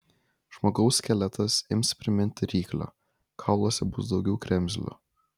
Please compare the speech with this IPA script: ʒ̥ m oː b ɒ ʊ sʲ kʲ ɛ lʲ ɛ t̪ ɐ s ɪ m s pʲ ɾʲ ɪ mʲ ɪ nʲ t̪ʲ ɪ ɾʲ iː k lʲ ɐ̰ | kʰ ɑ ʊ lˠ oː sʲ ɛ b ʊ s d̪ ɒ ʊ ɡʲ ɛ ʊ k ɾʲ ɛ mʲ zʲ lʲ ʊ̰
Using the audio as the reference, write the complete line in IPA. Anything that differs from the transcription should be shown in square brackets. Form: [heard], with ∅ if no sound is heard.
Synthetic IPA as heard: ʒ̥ m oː [ɡ] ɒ ʊ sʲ kʲ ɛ lʲ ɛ t̪ ɐ s ɪ m s pʲ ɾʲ ɪ mʲ ɪ nʲ t̪ʲ ɪ ɾʲ iː k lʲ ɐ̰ | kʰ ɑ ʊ lˠ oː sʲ ɛ b ʊ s d̪ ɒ ʊ ɡʲ ɛ ʊ k ɾʲ ɛ mʲ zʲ lʲ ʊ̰